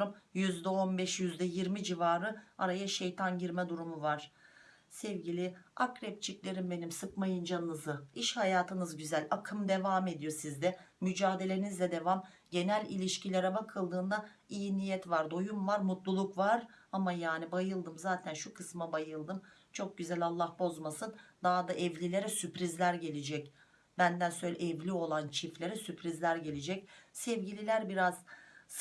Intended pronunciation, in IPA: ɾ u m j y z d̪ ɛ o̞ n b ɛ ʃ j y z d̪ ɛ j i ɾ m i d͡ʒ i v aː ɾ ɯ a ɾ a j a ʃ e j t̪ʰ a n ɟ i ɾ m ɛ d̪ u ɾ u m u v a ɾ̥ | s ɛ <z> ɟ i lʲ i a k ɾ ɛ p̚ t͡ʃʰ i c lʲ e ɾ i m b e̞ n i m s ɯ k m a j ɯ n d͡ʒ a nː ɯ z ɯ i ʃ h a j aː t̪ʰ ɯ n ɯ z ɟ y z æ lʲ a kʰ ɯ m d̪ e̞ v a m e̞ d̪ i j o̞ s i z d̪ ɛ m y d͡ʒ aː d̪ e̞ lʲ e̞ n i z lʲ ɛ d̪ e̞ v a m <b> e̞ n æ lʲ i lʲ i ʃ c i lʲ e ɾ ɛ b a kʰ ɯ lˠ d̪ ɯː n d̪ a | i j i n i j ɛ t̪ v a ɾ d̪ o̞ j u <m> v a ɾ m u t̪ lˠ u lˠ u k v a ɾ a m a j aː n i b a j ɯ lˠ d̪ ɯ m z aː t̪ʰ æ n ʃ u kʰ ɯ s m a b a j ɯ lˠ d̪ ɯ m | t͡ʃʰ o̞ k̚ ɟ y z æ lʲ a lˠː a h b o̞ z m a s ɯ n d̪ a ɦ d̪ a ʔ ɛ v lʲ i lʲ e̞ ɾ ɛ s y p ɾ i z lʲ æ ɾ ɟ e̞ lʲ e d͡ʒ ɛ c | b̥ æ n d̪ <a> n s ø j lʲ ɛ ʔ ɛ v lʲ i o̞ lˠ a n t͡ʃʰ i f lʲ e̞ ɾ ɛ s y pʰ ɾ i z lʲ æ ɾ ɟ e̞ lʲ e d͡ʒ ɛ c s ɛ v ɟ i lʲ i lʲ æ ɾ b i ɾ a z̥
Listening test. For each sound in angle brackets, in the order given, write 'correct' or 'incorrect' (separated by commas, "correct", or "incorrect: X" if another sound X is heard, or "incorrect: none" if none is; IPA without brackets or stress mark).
incorrect: v, incorrect: ɟ, correct, incorrect: æ